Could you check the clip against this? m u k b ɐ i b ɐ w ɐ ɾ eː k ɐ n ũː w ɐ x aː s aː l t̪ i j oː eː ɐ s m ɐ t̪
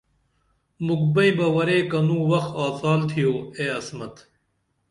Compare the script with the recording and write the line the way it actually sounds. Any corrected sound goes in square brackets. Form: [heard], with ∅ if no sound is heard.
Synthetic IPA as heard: m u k b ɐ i b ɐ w ɐ ɾ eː k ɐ n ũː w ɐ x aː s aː l [t̪ʰ] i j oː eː ɐ s m ɐ t̪

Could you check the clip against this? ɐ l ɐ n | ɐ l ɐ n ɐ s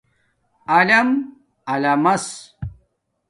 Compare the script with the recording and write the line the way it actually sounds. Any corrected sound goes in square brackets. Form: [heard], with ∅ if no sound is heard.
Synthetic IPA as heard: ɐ l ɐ [m] | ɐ l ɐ [m] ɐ s

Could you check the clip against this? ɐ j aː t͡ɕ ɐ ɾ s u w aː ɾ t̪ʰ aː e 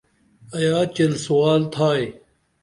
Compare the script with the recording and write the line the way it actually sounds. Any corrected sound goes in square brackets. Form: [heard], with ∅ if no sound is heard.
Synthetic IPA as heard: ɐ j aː t͡ɕ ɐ [l] s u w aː [l] t̪ʰ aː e

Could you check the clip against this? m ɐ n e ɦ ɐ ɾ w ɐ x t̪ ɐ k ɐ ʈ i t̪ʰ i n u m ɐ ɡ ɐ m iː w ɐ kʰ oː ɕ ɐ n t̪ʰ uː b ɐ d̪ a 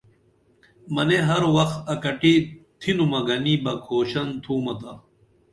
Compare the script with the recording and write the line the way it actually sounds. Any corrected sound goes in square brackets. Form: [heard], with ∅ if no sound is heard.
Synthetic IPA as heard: m ɐ n e ɦ ɐ ɾ w ɐ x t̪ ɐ k ɐ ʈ i t̪ʰ i n u m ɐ ɡ ɐ [n] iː [b] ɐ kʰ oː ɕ ɐ n t̪ʰ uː [m] ɐ [t̪] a

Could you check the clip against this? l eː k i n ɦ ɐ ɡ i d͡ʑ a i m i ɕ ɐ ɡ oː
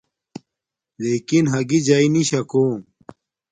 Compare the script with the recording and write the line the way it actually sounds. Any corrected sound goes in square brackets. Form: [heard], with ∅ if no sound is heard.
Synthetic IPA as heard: l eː k i n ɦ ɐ ɡ i d͡ʑ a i [n] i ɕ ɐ [k] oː

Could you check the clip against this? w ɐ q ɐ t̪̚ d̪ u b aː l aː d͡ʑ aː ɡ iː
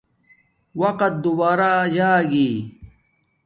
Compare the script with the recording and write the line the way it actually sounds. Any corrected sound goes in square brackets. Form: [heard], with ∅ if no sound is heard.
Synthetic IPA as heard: w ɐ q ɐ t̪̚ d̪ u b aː [ɾ] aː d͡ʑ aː ɡ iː

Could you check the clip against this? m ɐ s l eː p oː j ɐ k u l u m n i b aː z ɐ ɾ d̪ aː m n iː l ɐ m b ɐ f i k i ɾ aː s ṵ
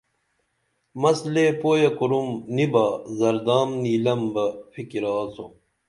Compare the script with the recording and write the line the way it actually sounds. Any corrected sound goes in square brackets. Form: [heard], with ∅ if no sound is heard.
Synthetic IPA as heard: m ɐ s l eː p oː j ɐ k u [ɾ] u m n i b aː z ɐ ɾ d̪ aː m n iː l ɐ m b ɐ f i k i ɾ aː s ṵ

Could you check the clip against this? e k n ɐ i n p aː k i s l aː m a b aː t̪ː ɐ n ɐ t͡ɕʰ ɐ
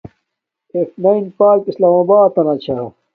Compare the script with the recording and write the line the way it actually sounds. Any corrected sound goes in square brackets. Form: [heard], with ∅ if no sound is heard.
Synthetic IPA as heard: e k n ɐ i n p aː k i s l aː m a b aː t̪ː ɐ n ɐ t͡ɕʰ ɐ

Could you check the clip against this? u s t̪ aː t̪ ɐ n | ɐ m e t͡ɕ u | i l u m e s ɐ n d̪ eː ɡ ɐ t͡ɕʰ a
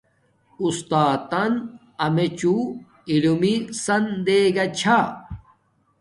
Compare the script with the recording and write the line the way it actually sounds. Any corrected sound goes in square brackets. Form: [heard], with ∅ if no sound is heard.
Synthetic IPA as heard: u s t̪ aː t̪ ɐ n | ɐ m e t͡ɕ u | i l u m [i] s ɐ n d̪ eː ɡ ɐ t͡ɕʰ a

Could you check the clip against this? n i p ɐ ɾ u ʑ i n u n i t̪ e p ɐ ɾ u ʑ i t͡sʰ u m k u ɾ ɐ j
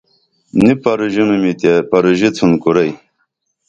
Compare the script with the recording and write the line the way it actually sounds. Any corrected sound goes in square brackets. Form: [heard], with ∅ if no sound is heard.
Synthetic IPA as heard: n i p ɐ ɾ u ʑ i n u [m] i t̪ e p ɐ ɾ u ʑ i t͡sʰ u [n] k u ɾ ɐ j

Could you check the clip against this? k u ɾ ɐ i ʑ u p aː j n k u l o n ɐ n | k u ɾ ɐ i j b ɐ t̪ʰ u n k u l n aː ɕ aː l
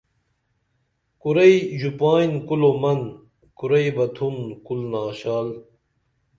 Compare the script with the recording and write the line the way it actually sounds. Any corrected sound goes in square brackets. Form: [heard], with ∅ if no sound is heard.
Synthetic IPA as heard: k u ɾ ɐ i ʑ u p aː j n k u l o [m] ɐ n | k u ɾ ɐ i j b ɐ t̪ʰ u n k u l n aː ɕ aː l

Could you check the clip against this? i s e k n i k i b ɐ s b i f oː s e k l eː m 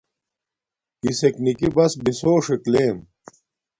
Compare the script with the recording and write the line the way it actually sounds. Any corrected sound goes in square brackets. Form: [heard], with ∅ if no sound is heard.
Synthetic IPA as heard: i s e k n i k i b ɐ s b i [s] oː [ʂ] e k l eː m

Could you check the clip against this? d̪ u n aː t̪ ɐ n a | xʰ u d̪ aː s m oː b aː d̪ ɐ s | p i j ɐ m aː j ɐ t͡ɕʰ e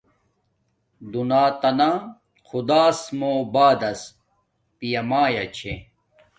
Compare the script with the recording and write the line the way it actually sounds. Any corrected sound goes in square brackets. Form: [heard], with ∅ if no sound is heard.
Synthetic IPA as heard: d̪ u n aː t̪ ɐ n a | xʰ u d̪ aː s m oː b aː d̪ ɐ s | p i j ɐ m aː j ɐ t͡ɕʰ e

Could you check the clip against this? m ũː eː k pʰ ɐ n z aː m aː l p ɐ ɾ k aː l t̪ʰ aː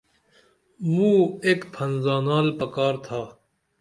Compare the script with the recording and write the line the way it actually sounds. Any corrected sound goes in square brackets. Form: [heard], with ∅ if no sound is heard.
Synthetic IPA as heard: m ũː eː k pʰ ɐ n z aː [n] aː l p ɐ [∅] k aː [ɾ] t̪ʰ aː

